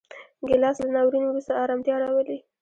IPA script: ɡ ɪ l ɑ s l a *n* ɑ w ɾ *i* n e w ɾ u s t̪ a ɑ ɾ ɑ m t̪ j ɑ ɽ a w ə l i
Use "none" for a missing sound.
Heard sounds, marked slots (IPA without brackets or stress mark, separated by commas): n, i